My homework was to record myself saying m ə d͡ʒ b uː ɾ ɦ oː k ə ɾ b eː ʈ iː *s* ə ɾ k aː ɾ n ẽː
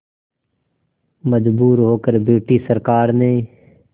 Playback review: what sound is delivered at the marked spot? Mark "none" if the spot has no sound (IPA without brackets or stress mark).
s